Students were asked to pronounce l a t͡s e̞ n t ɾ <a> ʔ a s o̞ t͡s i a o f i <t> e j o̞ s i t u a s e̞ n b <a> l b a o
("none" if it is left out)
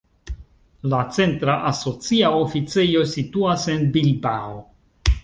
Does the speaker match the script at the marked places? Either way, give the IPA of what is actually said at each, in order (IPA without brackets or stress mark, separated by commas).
a, t͡s, i